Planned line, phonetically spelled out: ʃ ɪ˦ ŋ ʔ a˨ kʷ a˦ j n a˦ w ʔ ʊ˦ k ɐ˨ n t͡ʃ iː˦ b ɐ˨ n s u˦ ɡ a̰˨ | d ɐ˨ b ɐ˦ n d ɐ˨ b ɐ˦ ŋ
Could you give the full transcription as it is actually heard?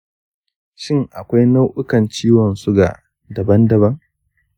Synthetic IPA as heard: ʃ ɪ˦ ŋ ʔ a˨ kʷ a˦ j n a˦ w ʔ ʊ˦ k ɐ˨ n t͡ʃ iː˦ w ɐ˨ n s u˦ ɡ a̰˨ | d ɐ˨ b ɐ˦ n d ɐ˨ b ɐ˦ ŋ